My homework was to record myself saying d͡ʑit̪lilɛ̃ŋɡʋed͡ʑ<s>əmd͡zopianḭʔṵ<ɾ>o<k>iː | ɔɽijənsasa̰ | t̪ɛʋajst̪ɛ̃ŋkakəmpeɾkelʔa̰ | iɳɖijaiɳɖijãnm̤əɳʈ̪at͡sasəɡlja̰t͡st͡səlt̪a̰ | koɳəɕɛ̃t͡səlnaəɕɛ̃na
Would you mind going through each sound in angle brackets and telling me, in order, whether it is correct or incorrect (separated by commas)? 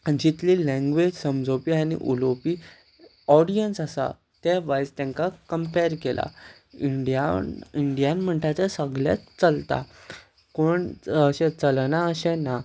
correct, incorrect, incorrect